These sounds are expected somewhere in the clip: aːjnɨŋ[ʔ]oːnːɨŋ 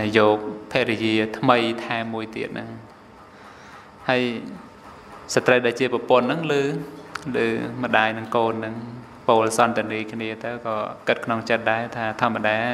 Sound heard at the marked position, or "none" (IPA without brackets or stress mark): k